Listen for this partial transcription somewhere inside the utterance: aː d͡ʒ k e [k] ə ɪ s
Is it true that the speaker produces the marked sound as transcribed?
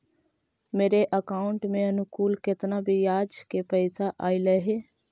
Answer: no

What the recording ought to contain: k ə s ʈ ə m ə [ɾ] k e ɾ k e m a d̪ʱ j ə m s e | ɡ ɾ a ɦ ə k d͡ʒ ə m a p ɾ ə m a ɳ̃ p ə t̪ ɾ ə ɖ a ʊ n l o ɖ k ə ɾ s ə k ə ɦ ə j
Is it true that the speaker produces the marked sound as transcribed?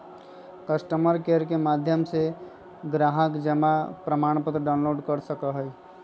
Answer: yes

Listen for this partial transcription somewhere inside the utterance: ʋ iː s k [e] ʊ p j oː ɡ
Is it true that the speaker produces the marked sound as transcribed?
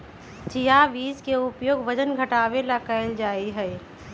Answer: yes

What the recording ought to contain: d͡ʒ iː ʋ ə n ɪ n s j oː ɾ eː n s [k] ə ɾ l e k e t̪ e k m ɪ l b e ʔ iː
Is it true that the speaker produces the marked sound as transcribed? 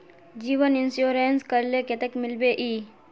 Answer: yes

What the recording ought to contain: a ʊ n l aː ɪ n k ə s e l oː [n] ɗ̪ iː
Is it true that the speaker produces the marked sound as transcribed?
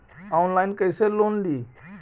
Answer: yes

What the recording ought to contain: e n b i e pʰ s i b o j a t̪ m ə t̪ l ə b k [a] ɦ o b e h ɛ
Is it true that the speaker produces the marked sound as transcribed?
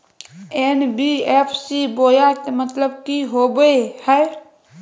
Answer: no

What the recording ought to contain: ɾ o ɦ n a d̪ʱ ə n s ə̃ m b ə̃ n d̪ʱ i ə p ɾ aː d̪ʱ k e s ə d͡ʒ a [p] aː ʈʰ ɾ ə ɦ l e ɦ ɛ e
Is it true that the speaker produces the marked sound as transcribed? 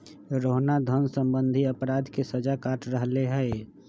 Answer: no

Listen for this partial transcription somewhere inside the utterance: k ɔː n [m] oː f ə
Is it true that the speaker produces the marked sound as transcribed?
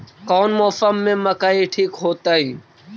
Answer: yes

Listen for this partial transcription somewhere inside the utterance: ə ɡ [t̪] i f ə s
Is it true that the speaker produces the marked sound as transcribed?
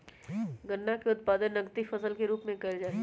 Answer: yes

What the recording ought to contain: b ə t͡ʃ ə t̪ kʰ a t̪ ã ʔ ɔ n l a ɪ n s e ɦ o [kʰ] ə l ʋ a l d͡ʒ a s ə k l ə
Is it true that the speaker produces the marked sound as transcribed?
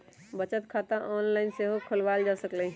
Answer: yes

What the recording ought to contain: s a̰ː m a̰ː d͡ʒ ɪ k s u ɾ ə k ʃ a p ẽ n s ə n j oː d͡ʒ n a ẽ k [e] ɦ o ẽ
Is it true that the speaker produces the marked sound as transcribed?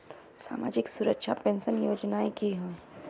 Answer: no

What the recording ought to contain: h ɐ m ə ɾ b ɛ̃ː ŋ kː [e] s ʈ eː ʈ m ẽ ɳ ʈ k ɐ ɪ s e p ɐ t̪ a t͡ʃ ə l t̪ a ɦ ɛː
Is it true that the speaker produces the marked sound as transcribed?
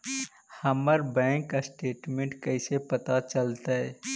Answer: no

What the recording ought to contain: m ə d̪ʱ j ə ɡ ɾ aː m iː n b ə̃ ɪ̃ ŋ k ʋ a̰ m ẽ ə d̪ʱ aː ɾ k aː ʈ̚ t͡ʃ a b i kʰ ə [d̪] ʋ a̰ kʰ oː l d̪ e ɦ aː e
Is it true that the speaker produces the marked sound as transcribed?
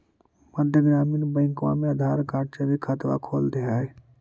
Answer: no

